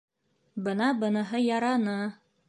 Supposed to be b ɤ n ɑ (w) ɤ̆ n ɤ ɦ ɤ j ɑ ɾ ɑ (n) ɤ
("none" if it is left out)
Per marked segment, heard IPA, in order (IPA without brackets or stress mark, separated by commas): b, n